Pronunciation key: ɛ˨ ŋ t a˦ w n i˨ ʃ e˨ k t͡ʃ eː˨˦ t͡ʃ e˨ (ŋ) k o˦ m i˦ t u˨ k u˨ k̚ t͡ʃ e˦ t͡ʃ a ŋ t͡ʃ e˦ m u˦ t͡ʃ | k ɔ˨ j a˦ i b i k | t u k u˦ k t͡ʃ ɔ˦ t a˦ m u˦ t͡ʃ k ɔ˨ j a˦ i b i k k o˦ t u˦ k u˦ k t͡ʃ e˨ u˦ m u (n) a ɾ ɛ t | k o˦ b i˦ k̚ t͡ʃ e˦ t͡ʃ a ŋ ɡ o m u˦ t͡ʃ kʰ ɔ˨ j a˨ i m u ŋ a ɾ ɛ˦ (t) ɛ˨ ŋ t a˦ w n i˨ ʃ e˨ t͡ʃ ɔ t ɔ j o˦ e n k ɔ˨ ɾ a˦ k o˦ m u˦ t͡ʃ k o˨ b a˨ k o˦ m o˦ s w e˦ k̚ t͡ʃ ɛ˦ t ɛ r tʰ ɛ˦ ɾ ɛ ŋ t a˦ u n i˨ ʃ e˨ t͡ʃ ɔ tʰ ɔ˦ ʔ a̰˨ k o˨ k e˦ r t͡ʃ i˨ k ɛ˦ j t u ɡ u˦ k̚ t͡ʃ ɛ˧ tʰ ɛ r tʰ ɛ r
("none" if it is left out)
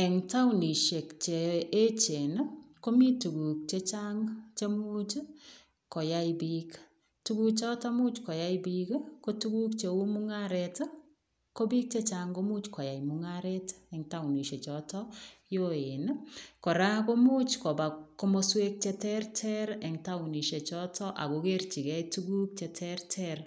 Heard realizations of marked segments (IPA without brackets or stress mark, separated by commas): n, ŋ, t